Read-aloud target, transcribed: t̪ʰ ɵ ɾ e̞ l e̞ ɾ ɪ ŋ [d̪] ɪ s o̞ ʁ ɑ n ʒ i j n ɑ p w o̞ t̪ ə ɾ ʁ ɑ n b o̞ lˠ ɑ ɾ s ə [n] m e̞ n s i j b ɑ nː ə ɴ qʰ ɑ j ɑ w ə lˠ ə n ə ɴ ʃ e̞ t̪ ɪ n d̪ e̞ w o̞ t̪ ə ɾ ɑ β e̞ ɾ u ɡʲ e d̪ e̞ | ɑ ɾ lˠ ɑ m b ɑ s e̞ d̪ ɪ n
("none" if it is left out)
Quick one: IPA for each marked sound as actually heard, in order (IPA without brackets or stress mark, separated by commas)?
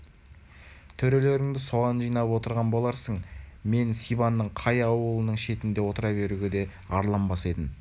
d̪, ɴ